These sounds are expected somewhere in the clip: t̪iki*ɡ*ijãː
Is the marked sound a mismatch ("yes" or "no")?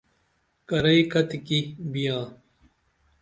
yes